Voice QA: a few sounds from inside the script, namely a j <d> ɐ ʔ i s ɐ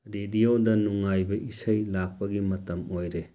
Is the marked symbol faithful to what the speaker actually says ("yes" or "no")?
no